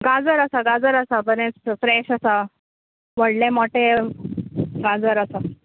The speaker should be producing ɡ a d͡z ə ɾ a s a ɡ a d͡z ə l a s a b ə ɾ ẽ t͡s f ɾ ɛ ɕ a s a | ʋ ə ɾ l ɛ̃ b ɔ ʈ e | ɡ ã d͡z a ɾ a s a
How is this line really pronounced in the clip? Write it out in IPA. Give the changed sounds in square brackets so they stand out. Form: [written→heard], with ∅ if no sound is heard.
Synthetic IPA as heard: ɡ a d͡z ə ɾ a s a ɡ a d͡z ə [l→ɾ] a s a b ə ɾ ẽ t͡s f ɾ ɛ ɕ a s a | ʋ ə [ɾ→ɽ] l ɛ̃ [b→m] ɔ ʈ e | ɡ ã d͡z [a→ə] ɾ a s a